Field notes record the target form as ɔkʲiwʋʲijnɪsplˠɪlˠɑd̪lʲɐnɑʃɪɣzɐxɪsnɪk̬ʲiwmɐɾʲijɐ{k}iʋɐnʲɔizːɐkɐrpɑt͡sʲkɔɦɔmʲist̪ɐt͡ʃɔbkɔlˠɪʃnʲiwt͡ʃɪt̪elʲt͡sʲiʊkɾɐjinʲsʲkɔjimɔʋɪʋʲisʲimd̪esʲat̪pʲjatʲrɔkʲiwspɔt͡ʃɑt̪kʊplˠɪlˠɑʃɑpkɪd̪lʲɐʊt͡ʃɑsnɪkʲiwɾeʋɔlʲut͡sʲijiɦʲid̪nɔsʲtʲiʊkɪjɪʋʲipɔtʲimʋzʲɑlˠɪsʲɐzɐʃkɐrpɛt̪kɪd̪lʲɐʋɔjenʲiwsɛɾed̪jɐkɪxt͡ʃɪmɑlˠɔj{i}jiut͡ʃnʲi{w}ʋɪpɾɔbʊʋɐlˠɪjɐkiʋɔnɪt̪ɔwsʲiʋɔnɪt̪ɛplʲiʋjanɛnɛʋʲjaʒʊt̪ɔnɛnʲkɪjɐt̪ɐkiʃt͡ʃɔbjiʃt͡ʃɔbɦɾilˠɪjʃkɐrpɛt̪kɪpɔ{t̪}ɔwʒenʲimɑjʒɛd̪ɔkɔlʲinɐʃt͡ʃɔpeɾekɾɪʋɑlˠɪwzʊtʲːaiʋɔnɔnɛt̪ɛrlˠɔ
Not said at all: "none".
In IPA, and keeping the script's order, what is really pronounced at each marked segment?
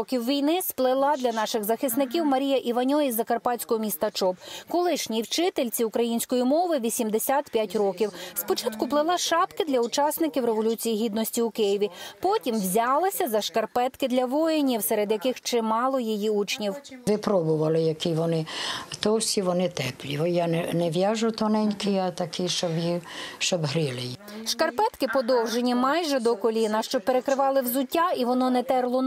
ʔ, i, w, d̪

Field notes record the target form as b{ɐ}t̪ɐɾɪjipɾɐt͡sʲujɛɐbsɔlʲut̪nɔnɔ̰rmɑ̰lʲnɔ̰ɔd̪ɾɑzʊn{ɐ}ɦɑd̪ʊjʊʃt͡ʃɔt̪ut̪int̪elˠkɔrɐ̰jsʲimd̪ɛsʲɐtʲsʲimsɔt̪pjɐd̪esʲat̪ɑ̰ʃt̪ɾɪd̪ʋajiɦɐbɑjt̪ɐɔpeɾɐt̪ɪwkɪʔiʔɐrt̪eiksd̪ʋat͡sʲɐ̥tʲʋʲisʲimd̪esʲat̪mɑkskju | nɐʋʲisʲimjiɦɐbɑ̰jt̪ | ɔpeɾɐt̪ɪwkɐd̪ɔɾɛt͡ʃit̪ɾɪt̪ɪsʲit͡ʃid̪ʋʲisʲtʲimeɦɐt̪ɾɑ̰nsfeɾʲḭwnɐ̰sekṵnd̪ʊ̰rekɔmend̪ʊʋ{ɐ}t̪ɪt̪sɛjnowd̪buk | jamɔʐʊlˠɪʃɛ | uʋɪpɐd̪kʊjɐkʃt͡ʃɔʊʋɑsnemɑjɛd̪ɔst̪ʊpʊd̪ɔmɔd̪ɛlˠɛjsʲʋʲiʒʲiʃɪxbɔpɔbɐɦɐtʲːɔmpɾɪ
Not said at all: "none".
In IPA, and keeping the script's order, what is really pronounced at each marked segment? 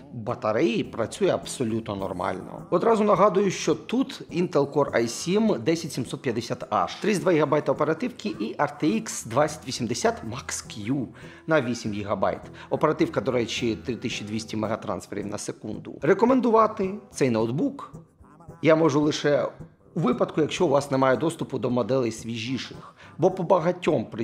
ɐ, ɐ, ɑ

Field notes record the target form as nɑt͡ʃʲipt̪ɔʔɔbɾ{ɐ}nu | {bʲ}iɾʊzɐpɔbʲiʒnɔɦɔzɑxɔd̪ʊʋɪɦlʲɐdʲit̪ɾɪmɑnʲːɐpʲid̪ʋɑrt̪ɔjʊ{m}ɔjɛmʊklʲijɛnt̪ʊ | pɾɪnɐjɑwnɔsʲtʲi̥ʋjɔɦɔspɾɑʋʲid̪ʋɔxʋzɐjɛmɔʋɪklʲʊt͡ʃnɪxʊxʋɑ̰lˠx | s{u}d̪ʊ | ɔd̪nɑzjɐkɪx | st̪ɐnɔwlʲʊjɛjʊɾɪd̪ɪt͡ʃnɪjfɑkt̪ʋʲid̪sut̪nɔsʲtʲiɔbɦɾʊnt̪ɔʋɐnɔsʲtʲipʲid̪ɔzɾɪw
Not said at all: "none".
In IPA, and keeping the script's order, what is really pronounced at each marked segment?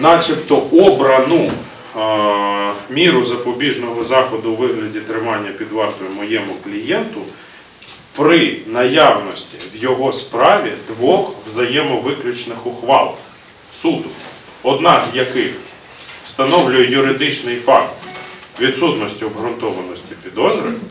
ɐ, mʲ, m, u

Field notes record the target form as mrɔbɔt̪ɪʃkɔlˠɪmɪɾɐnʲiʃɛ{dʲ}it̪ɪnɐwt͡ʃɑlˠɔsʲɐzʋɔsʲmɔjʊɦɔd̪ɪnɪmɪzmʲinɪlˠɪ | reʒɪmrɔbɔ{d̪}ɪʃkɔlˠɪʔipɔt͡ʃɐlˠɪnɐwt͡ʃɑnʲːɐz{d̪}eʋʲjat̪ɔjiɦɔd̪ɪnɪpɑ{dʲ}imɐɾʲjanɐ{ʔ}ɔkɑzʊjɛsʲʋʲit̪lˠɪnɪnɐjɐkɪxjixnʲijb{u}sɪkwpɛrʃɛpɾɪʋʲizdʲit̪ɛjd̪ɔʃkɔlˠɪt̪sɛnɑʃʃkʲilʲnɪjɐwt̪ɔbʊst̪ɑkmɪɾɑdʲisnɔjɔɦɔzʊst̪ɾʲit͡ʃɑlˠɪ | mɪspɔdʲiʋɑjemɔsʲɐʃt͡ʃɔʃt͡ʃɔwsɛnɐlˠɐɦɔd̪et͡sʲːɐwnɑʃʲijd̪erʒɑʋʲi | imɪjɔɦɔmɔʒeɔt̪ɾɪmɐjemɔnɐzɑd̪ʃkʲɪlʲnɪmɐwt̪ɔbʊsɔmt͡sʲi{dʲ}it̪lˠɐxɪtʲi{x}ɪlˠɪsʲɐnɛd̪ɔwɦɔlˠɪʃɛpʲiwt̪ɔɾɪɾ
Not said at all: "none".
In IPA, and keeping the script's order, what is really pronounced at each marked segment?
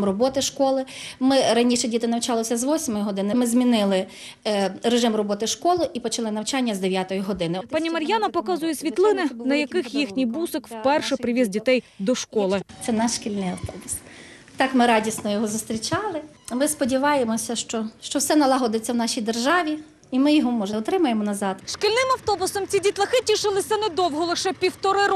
dʲ, t̪, d̪, nʲ, p, u, dʲ, ʃ

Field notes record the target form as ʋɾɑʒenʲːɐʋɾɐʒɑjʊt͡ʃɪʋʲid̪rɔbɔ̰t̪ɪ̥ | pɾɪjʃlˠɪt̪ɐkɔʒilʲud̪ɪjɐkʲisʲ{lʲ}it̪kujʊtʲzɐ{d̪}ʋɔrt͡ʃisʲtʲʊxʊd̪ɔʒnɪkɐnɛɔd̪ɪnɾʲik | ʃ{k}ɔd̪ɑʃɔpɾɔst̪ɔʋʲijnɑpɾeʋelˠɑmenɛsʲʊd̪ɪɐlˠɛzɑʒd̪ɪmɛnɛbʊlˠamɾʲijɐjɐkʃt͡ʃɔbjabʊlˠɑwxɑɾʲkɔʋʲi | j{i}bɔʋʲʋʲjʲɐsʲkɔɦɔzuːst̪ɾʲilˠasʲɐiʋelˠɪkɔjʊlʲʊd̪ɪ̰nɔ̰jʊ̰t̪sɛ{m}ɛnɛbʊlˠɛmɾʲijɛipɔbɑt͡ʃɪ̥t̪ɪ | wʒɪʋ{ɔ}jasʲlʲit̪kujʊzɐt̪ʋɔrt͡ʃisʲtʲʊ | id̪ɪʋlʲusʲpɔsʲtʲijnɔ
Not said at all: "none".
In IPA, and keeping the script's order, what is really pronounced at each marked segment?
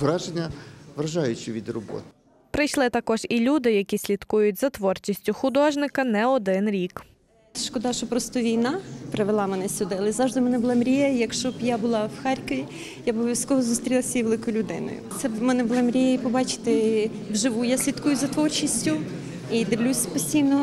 lʲ, t̪, k, a, m, u

